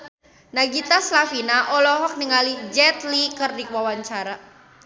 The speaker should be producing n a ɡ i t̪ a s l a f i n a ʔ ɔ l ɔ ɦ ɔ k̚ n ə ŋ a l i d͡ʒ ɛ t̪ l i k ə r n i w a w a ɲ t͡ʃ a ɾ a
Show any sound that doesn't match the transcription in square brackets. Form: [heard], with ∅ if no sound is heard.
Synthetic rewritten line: n a ɡ i t̪ a s l a f i n a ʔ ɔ l ɔ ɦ ɔ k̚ n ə ŋ a l i d͡ʒ ɛ t̪ l i k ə r [d] i w a w a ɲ t͡ʃ a ɾ a